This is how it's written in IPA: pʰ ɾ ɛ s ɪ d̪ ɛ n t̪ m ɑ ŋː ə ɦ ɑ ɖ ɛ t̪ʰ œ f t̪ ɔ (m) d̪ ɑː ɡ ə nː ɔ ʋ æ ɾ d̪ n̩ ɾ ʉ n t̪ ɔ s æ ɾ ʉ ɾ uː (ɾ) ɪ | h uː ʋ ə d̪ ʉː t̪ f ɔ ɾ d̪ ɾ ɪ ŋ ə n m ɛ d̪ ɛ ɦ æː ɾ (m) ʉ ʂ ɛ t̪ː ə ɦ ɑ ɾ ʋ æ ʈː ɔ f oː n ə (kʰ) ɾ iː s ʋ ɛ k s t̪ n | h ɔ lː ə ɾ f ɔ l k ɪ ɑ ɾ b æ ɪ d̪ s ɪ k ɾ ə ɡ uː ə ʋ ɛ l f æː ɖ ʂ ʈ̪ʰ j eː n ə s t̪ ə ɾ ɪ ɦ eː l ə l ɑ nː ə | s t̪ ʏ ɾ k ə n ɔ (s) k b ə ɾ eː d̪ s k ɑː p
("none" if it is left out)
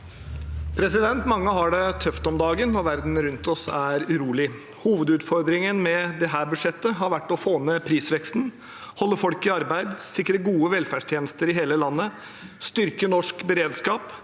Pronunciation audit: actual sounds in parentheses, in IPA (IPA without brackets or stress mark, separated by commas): m, l, b, pʰ, ʂ